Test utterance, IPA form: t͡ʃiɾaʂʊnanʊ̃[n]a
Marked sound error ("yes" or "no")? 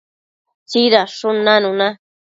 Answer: no